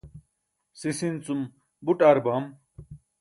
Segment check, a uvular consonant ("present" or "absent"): absent